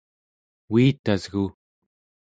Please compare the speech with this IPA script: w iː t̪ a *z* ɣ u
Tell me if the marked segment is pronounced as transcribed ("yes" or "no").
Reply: yes